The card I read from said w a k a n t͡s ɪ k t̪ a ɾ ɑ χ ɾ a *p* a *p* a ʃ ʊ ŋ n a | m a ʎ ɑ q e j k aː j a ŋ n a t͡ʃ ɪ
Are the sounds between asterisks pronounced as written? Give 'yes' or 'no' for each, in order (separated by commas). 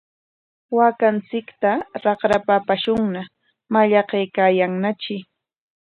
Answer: yes, yes